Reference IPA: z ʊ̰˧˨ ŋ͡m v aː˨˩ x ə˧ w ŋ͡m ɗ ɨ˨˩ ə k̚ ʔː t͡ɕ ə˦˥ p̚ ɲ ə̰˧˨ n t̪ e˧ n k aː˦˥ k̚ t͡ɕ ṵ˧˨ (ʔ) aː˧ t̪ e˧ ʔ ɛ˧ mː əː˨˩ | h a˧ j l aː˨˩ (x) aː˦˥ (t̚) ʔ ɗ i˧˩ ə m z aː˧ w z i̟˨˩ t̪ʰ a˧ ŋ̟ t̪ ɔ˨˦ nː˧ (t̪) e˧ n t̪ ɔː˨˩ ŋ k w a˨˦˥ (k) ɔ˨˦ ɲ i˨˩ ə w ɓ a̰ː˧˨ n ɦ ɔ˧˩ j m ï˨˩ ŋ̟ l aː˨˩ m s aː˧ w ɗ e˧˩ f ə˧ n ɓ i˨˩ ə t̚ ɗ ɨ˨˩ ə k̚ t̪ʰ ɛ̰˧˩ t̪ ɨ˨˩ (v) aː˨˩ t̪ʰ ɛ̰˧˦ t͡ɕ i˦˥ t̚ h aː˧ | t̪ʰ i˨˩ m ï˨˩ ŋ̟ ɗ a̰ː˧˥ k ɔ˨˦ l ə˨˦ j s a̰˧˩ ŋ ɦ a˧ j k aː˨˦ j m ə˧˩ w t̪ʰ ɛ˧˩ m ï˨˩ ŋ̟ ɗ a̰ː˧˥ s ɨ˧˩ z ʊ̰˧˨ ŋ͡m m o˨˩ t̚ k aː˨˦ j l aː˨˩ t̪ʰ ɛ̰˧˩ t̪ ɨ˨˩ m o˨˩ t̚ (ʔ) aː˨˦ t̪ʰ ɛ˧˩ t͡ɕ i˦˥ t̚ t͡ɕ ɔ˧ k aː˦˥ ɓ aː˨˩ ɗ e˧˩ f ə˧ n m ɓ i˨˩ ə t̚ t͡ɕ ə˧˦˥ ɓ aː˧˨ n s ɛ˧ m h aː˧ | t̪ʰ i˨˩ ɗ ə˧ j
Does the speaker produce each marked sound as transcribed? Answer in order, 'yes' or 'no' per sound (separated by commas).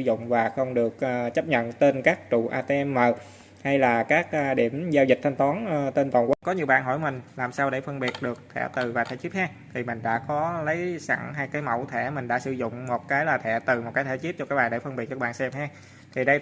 yes, no, no, yes, yes, yes, no